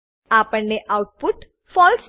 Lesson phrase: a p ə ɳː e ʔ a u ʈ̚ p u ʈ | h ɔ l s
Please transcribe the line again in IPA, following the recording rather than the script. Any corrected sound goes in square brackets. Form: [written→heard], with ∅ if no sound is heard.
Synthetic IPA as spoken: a p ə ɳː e ʔ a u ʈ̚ p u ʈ | [h→f] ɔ l s

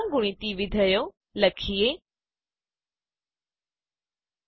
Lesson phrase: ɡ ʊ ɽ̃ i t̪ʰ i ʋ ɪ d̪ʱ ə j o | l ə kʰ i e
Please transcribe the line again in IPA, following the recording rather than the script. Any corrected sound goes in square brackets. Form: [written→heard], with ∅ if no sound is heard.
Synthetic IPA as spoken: ɡ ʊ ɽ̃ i [t̪ʰ→t̪] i ʋ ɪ d̪ʱ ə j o | l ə kʰ i e

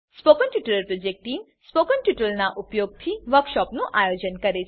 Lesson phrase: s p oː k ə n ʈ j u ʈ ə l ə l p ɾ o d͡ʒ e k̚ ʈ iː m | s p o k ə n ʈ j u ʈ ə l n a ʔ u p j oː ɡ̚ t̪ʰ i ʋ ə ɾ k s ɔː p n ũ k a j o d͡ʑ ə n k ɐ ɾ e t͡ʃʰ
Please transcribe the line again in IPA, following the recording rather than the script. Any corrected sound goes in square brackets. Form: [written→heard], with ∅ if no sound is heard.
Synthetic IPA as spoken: s p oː k ə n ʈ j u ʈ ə l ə [l→ɾ] p ɾ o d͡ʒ e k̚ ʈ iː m | s p o k ə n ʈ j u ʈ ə l n a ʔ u p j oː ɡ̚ t̪ʰ i ʋ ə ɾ k [s→ʃ] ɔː p n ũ [k→ʔ] a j o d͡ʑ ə n k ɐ ɾ e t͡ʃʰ

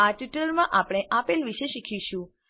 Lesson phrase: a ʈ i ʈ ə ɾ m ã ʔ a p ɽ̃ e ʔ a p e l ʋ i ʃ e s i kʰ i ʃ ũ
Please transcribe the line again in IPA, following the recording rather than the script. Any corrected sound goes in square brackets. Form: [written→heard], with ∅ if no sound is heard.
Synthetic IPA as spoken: a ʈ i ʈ ə [ɾ→l] m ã ʔ a p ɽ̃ e ʔ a p e l ʋ i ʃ e [s→ʃ] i kʰ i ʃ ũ

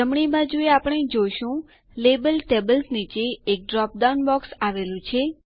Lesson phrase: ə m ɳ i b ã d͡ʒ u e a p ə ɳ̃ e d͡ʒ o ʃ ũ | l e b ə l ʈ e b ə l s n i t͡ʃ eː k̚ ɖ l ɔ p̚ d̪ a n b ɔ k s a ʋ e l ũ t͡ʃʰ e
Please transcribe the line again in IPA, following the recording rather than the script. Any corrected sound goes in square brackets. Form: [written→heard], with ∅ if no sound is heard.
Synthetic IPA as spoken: ə m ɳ i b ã d͡ʒ u e a p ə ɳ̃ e d͡ʒ o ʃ ũ | l e b ə l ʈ e b ə l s n i t͡ʃ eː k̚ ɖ [l→ɾ] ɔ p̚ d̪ a n b ɔ k s a ʋ e l ũ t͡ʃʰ e

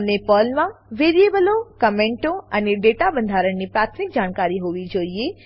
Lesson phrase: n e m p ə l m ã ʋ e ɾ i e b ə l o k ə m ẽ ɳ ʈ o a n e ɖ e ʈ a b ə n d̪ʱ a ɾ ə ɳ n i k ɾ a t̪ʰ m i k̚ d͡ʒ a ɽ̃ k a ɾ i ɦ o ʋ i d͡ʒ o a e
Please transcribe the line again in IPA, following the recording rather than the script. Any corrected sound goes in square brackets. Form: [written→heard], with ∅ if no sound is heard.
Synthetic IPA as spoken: n e [m→∅] p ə l m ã ʋ e ɾ i e b ə l o k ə m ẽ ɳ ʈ o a n e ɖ e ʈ a b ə n d̪ʱ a ɾ ə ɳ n i [k→p] ɾ a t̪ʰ m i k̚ d͡ʒ a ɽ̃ k a ɾ i ɦ o ʋ i d͡ʒ o [a→i] e

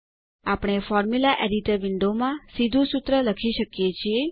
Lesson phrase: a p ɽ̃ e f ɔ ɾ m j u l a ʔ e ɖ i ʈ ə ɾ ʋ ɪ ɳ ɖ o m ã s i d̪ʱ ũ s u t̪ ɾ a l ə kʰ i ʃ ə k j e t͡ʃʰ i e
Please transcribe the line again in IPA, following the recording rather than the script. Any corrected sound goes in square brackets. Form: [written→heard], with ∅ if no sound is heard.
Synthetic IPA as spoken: a p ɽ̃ e f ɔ ɾ m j u l a ʔ e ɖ i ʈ ə ɾ ʋ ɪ ɳ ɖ o m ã s i d̪ʱ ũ s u t̪ ɾ [a→ə] l ə kʰ i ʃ ə k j e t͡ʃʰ i e

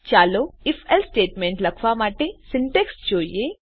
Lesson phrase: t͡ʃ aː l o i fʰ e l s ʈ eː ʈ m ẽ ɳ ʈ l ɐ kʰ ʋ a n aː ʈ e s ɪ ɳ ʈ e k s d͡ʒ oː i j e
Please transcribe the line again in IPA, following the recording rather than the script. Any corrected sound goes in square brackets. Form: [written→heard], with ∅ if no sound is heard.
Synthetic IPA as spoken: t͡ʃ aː l o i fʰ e l s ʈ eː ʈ m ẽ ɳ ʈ l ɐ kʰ ʋ a [n→m] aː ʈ e s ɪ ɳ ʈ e k s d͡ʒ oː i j e

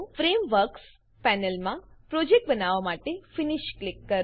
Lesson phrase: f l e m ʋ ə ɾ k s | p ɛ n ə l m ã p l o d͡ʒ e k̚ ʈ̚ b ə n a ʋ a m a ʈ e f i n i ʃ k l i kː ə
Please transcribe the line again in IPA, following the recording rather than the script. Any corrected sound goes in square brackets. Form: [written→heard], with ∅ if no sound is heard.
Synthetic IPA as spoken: f [l→ɾ] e m ʋ ə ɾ k s | p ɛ n ə l m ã p [l→ɾ] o d͡ʒ e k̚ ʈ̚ b ə n a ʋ a m a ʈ e f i n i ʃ k l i kː ə

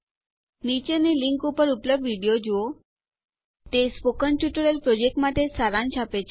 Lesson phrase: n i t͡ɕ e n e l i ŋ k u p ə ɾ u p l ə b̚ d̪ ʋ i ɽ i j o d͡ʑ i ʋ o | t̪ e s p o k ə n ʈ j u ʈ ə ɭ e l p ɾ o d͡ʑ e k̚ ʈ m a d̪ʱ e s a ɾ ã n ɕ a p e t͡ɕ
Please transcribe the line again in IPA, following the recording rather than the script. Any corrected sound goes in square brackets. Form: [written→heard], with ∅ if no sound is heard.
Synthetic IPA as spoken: n i t͡ɕ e n e l i ŋ k u p ə ɾ u p l ə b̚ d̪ ʋ i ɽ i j o d͡ʑ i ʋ o | t̪ e s p o k ə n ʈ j u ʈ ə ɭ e l p ɾ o d͡ʑ e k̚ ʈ m a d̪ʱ e s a ɾ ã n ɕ a p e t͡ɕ

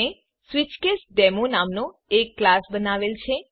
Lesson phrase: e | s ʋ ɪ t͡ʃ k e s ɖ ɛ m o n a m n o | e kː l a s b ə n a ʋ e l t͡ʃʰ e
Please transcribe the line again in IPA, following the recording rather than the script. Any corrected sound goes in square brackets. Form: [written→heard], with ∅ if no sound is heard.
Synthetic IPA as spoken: e | s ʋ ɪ t͡ʃ k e s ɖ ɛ m o n a m n o | e kː l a s b ə n a ʋ e l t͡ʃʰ e

